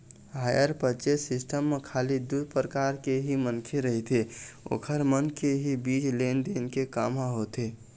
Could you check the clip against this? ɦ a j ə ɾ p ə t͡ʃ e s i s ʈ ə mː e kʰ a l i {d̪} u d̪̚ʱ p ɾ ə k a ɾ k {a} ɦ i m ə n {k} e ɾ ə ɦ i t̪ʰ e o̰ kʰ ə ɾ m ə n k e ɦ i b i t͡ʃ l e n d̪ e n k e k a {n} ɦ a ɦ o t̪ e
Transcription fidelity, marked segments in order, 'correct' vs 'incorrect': correct, incorrect: e, incorrect: kʰ, incorrect: m

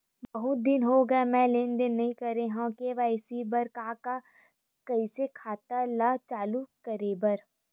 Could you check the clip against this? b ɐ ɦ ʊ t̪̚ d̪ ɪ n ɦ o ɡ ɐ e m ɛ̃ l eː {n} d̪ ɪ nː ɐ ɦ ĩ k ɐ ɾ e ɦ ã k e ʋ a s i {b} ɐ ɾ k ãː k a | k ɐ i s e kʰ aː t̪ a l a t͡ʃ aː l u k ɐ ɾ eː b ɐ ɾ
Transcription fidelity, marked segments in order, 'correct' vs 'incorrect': correct, correct

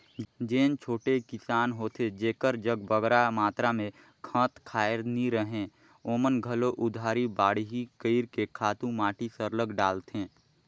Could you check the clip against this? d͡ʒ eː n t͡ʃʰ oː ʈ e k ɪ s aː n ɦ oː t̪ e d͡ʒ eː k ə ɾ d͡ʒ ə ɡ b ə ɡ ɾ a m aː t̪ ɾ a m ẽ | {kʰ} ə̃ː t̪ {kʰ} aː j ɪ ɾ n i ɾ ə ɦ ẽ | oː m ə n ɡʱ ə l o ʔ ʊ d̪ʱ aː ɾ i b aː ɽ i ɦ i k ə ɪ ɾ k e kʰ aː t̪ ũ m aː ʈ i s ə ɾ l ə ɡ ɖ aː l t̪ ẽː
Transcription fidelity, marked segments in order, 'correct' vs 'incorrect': correct, correct

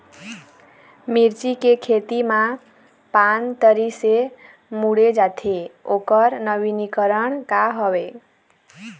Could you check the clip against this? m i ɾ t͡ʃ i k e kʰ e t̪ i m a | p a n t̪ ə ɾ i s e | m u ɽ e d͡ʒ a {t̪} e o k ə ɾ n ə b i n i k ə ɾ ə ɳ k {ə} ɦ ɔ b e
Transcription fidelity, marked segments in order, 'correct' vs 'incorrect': incorrect: t̪ʰ, incorrect: a

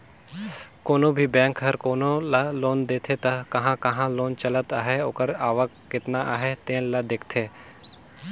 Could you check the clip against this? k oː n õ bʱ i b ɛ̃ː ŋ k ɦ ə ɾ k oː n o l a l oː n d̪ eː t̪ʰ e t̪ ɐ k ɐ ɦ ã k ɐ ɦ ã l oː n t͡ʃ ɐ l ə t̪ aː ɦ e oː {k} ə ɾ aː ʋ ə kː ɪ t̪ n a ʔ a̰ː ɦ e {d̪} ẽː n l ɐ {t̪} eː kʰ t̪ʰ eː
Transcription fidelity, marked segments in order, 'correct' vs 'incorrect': correct, incorrect: t̪, incorrect: d̪

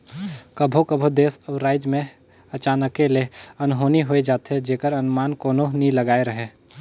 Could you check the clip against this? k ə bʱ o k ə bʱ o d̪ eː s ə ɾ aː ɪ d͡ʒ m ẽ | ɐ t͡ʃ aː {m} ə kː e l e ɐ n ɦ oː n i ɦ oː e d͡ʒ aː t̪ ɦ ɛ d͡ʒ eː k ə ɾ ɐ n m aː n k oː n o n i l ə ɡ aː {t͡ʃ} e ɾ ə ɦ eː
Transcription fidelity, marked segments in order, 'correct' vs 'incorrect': incorrect: n, incorrect: none

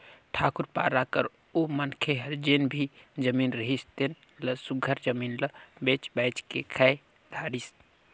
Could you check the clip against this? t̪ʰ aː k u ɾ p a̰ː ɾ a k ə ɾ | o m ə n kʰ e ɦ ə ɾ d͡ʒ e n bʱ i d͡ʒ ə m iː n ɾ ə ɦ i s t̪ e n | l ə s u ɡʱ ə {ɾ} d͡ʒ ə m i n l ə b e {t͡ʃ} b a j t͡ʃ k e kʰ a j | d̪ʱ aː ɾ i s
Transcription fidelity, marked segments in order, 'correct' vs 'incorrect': correct, correct

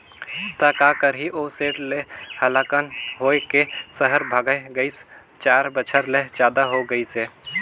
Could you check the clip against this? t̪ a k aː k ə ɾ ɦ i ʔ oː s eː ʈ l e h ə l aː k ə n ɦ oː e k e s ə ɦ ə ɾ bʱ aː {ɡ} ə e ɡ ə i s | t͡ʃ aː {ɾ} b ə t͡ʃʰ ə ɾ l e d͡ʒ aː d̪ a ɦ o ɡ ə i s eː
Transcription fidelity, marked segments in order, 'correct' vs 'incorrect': correct, correct

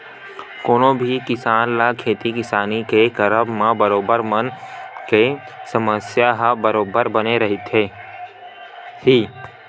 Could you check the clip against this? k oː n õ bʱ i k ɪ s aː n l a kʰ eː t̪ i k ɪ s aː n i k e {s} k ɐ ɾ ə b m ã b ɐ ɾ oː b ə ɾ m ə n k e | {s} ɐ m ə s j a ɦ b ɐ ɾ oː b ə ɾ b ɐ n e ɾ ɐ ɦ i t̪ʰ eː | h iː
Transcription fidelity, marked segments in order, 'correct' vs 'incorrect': incorrect: none, correct

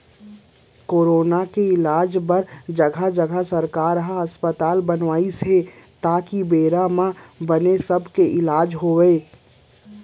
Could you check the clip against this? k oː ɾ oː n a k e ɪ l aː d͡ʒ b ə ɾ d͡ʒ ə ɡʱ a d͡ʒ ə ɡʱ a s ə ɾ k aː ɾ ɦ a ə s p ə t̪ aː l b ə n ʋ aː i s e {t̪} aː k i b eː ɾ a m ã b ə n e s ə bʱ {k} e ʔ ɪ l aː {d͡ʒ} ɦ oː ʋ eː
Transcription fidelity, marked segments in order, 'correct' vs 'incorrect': correct, correct, correct

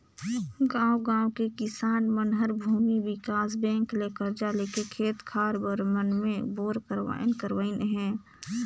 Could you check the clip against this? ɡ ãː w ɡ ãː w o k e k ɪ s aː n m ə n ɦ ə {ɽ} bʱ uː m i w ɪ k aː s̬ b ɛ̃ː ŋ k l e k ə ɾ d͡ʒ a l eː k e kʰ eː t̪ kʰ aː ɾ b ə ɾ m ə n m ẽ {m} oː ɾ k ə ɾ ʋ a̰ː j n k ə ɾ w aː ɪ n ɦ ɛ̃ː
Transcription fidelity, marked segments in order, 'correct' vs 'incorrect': incorrect: ɾ, incorrect: b

